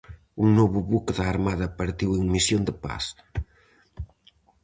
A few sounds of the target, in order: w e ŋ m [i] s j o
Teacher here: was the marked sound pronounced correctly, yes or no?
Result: yes